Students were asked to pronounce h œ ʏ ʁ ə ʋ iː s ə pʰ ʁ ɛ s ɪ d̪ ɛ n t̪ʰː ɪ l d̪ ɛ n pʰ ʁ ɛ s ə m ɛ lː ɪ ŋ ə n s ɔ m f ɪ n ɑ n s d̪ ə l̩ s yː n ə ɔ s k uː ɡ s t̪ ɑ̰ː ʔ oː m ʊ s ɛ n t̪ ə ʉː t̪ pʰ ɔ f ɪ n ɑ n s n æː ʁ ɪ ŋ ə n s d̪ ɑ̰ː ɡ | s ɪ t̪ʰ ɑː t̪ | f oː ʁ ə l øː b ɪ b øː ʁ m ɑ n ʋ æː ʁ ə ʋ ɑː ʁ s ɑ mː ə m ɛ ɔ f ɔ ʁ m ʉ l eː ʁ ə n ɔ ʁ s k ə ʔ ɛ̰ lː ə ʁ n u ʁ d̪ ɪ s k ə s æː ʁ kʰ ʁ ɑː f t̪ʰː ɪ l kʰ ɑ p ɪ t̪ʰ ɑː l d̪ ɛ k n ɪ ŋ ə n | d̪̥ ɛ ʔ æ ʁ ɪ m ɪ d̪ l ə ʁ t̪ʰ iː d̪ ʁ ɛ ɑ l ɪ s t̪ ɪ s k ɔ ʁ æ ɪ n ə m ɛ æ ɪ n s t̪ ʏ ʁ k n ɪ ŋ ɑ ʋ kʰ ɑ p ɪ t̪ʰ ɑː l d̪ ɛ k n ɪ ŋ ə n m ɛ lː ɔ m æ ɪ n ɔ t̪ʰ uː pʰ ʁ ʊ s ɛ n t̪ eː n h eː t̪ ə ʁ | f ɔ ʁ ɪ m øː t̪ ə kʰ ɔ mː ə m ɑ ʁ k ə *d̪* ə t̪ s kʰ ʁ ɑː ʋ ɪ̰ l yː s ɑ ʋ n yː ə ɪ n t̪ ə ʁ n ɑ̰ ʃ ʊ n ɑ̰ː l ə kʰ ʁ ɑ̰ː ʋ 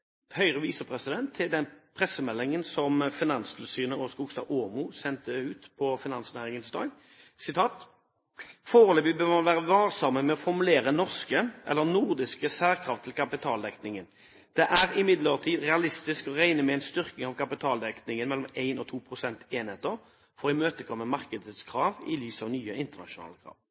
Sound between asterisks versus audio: correct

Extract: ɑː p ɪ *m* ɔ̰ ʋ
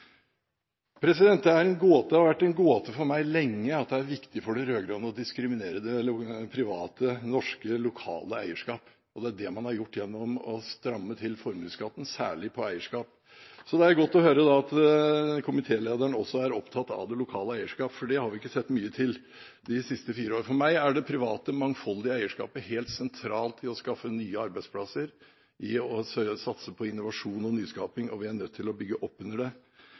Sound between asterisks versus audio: incorrect: ŋ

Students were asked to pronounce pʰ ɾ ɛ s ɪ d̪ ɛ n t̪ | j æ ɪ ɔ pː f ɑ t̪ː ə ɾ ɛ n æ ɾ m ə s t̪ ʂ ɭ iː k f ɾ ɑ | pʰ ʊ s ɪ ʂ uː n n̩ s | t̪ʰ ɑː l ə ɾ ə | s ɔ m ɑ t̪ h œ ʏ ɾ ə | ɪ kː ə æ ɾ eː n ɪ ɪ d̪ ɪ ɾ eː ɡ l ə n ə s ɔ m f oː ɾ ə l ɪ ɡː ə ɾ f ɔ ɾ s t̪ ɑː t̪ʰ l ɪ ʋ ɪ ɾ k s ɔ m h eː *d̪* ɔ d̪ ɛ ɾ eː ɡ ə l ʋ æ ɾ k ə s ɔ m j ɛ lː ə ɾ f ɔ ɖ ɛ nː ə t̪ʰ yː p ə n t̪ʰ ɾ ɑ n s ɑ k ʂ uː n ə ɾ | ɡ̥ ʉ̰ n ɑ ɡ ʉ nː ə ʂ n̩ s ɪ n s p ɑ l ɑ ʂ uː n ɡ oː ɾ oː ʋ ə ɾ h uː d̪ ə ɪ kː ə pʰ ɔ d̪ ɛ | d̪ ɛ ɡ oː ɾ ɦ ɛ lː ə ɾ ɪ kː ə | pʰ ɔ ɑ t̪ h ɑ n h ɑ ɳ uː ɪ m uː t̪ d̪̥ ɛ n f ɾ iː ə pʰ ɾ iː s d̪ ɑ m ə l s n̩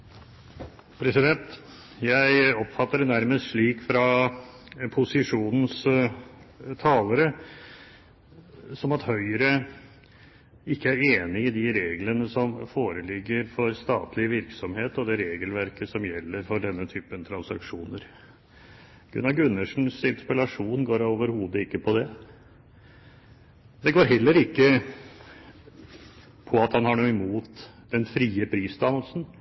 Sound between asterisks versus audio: incorrect: t̪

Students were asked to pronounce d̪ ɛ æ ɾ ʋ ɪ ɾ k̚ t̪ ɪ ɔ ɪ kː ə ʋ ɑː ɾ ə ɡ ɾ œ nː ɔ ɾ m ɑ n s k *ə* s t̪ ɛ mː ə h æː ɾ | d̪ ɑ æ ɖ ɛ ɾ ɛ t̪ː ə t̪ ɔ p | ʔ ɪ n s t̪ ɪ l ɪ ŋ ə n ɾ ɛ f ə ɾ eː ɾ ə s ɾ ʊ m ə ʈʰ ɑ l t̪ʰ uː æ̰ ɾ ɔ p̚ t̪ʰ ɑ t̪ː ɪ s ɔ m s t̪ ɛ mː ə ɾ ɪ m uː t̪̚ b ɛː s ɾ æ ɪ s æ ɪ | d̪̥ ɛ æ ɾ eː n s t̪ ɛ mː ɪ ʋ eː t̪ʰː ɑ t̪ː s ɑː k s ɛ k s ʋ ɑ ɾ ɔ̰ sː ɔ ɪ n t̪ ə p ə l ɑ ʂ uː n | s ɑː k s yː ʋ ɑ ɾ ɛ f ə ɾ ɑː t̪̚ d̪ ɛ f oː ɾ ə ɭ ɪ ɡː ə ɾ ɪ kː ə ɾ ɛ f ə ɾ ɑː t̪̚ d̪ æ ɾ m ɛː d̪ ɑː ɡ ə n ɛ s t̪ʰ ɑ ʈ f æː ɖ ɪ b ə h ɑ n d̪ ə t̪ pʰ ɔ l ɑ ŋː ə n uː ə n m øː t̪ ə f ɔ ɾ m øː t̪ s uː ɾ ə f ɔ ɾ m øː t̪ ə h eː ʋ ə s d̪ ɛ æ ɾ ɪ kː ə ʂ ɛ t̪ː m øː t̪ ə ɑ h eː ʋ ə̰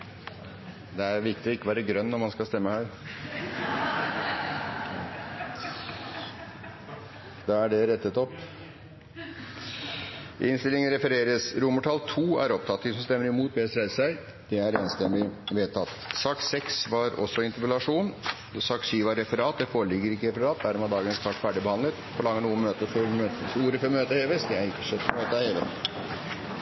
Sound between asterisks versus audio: incorrect: ɑ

